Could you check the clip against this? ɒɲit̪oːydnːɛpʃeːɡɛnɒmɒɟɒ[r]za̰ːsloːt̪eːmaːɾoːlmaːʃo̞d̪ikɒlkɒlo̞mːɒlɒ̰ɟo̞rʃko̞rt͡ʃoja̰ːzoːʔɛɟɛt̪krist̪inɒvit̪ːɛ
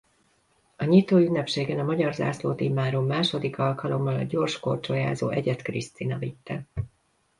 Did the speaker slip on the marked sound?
no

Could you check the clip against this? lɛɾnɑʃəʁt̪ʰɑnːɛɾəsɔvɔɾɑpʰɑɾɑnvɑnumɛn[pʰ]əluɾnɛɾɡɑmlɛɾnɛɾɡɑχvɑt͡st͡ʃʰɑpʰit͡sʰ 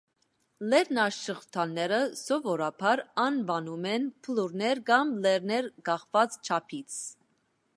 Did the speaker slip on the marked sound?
no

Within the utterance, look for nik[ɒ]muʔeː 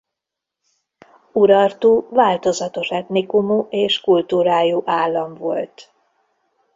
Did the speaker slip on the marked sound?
yes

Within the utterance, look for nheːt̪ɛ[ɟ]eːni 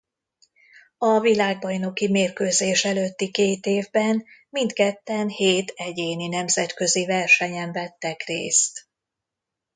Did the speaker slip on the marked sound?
no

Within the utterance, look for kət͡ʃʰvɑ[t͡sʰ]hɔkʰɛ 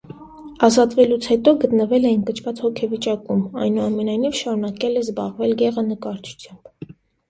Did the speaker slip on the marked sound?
yes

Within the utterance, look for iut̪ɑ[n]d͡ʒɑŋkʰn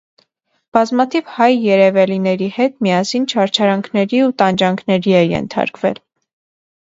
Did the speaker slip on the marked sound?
no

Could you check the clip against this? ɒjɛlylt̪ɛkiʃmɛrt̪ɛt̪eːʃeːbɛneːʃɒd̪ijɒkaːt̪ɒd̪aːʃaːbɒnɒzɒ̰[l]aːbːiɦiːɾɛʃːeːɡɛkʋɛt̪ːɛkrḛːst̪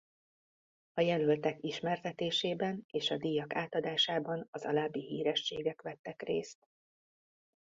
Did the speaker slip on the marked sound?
no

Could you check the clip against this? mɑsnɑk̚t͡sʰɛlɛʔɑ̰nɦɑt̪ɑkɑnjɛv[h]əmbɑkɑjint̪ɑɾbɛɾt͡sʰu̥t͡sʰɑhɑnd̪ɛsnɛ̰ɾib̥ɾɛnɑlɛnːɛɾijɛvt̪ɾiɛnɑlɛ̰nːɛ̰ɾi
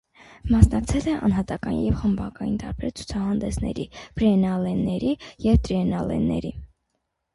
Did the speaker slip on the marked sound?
yes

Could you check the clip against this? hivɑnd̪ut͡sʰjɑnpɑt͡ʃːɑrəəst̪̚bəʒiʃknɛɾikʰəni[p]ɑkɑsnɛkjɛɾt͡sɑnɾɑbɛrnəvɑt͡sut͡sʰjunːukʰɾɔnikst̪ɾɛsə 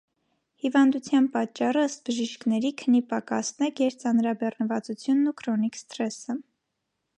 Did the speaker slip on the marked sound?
no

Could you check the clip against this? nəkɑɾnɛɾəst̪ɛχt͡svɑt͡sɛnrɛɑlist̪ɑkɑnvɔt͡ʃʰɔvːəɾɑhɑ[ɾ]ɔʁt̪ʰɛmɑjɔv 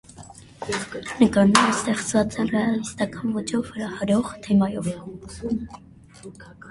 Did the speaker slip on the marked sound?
no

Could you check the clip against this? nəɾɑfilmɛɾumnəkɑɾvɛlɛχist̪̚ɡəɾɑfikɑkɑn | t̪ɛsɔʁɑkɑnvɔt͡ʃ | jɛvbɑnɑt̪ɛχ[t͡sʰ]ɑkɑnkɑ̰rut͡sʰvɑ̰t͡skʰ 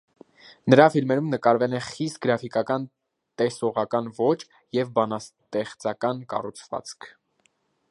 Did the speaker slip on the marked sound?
yes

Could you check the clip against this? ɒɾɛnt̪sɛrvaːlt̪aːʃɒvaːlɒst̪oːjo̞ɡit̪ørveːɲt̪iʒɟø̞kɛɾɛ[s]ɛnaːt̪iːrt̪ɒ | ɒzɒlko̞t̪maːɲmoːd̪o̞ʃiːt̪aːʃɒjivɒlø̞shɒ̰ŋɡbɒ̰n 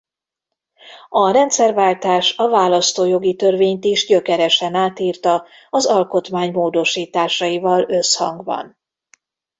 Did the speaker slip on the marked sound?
yes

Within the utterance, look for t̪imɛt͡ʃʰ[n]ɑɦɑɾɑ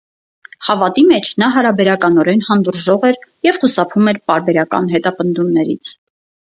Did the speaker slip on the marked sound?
no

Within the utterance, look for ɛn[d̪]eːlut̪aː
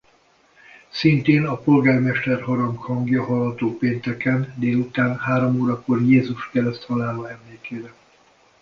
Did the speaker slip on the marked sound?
no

